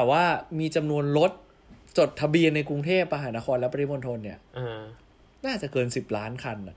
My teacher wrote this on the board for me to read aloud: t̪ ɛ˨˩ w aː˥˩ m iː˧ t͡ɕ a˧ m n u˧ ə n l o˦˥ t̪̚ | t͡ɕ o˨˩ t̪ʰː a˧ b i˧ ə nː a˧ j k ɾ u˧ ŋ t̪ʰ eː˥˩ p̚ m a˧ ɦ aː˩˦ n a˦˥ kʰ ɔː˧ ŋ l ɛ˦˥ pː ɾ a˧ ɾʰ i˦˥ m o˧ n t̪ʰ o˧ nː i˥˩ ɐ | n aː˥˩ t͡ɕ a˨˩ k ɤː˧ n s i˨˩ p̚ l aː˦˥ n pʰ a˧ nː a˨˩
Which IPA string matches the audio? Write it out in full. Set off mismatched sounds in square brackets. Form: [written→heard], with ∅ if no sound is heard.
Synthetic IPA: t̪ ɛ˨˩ w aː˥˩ m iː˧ t͡ɕ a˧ m n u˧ ə n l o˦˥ t̪̚ | t͡ɕ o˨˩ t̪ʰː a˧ b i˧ ə nː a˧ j k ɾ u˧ ŋ t̪ʰ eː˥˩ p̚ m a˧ ɦ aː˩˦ n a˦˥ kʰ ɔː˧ [ŋ→n] l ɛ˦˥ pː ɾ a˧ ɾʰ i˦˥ m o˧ n t̪ʰ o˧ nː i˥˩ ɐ | n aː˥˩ t͡ɕ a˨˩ k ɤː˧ n s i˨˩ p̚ l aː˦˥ n [pʰ→kʰ] a˧ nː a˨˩